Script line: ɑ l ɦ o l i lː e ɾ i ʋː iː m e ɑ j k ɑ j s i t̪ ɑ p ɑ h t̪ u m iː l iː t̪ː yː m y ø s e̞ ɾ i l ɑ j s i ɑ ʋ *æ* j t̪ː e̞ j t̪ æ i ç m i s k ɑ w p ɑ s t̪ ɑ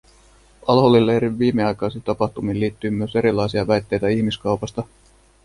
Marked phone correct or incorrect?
correct